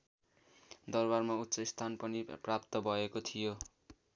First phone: d̪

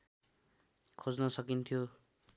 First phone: kʰ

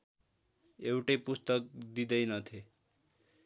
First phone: e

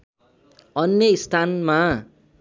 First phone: ʌ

